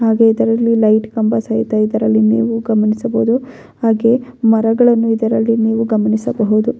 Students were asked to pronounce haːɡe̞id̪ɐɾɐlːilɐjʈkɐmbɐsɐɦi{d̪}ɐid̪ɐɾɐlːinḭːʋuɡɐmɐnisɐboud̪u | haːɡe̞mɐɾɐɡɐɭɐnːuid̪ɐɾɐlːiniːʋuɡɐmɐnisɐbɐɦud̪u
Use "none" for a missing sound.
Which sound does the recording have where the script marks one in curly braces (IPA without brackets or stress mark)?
t̪